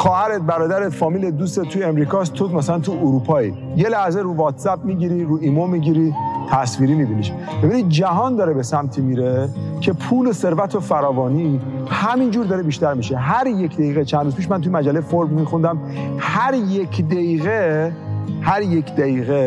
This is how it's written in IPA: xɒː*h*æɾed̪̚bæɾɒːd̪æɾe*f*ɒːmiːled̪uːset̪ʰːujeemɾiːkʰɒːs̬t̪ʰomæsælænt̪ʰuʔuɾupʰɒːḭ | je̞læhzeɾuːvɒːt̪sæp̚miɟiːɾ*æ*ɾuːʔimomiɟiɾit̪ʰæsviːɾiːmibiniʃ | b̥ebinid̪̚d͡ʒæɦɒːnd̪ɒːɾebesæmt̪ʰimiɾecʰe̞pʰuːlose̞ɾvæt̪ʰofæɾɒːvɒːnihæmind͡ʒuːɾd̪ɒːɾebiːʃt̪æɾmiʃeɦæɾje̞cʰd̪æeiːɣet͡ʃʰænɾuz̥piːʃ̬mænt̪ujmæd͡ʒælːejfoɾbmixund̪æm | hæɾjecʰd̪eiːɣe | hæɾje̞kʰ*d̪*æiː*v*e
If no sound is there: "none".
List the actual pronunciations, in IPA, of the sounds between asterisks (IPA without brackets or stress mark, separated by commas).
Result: h, f, i, d̪, ɣ